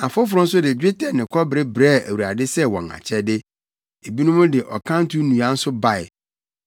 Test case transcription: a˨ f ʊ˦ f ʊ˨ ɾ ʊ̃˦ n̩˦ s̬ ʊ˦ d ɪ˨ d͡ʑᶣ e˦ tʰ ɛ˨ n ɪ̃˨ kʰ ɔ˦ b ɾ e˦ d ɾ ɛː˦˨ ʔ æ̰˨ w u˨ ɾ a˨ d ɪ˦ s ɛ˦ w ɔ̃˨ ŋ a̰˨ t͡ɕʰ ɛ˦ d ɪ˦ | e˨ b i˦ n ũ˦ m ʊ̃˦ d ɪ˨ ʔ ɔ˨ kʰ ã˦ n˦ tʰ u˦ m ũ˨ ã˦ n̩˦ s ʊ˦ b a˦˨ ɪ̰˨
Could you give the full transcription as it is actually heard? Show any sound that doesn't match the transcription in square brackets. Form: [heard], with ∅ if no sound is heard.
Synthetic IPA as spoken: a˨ f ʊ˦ f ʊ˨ ɾ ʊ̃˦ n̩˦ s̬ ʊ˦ d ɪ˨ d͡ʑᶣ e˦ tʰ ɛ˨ n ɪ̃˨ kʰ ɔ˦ b ɾ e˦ [b] ɾ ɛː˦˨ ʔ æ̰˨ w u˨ ɾ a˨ d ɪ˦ s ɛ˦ w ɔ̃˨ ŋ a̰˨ t͡ɕʰ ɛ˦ d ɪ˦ | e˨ b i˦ n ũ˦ m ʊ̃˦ d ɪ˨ ʔ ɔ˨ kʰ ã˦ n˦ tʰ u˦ [n] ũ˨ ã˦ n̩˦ s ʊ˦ b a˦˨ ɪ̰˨